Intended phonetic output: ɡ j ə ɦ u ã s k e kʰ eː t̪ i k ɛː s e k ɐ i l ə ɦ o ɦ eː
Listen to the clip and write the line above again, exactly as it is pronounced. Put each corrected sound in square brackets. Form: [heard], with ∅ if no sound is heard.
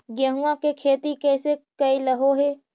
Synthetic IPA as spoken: ɡ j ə ɦ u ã [∅] k e kʰ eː t̪ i k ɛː s e k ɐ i l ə ɦ o ɦ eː